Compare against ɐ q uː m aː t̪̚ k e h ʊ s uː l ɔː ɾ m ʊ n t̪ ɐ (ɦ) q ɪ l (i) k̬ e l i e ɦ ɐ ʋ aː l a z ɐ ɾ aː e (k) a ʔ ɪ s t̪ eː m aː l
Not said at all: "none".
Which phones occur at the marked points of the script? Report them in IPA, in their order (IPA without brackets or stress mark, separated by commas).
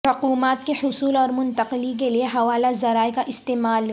none, i, k